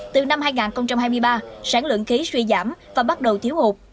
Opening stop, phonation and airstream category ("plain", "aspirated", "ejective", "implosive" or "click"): plain